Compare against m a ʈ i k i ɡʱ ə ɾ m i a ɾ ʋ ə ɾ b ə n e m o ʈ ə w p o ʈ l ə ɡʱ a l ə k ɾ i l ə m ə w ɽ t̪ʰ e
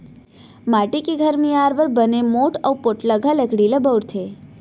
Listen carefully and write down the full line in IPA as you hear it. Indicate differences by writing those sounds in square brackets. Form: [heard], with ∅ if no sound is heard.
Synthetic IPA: m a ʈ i k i ɡʱ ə ɾ m i a ɾ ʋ ə ɾ b ə n e m o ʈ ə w p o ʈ l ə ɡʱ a l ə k [ɽ] i l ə [b] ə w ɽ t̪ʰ e